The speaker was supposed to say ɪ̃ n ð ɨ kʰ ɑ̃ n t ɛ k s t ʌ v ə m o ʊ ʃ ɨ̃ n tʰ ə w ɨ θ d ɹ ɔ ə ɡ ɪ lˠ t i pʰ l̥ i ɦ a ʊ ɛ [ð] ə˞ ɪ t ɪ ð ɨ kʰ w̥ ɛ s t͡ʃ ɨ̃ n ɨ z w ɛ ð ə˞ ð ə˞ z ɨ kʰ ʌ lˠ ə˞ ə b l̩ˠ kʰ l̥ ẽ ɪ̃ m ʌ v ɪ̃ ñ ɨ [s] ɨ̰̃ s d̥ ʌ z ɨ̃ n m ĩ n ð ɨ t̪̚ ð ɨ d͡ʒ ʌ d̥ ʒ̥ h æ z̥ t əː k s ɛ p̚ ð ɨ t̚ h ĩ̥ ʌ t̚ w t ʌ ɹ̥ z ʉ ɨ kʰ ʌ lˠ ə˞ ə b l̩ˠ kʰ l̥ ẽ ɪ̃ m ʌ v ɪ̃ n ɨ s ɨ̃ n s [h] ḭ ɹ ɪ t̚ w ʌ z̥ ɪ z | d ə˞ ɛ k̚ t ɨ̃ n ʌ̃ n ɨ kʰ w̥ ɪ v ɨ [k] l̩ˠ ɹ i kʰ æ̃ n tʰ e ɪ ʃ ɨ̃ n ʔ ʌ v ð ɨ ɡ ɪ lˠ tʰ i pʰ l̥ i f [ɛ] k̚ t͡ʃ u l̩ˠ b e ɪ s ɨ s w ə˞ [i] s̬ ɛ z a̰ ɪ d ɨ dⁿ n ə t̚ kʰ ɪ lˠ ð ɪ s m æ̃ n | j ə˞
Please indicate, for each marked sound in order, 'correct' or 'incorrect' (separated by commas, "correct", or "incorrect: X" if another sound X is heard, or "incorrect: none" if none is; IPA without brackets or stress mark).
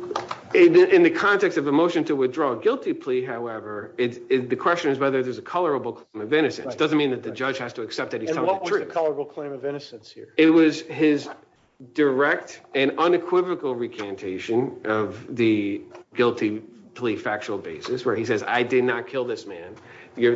incorrect: v, correct, correct, correct, incorrect: æ, correct